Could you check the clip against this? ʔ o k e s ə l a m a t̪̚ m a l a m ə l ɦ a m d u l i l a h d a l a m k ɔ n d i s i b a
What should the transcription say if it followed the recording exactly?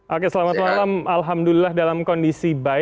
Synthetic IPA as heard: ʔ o k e s ə l a m a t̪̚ m a l a m a l ɦ a m d u l i l a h d a l a m k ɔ n d i s i b a